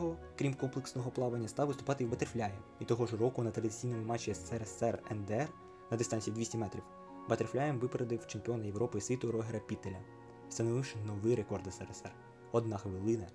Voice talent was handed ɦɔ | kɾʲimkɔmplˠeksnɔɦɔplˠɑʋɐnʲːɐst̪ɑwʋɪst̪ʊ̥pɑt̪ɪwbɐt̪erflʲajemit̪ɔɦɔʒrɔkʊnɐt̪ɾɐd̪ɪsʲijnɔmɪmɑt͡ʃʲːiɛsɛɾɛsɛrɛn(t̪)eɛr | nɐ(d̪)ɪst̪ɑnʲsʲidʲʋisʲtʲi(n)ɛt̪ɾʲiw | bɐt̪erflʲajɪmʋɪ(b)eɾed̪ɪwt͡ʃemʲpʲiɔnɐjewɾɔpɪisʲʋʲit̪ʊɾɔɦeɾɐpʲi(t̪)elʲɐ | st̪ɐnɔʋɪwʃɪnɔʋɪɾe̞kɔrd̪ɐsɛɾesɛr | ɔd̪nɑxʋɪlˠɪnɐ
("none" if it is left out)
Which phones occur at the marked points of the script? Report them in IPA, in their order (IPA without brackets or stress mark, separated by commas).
d̪, d̪, m, p, t̪